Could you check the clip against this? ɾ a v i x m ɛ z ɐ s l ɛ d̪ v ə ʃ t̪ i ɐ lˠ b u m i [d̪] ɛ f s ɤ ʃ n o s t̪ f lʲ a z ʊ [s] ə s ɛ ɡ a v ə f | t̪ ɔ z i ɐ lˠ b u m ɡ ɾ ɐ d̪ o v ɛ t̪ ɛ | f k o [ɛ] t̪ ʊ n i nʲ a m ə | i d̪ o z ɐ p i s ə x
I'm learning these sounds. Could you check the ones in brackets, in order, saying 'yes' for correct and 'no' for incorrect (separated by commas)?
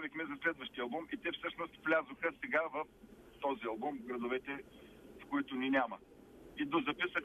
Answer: no, no, no